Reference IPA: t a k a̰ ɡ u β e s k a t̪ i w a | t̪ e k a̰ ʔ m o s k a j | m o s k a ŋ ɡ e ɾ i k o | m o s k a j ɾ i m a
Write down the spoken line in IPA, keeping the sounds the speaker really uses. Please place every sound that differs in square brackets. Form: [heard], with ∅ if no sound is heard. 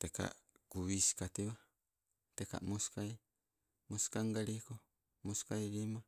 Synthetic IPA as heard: t [e] k a̰ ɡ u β [i] s k a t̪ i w a | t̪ e k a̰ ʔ m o s k a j | m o s k a ŋ ɡ [a] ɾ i k o | m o s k a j ɾ i m a